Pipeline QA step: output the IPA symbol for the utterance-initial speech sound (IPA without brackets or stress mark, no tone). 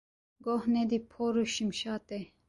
ɡ